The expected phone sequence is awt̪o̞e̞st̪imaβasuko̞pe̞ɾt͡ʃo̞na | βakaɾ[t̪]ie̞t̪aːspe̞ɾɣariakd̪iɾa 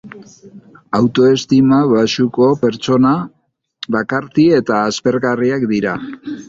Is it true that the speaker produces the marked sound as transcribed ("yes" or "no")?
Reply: yes